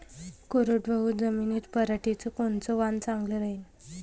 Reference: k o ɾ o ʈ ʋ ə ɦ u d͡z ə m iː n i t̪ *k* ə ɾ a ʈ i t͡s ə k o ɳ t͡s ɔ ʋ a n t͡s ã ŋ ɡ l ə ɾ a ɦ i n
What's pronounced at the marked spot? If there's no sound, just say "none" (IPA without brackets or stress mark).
p